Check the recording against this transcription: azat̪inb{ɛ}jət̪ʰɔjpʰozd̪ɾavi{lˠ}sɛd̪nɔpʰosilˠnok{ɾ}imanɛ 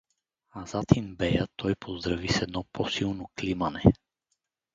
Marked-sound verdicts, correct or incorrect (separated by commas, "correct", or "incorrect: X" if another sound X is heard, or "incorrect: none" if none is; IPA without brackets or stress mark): correct, incorrect: none, incorrect: l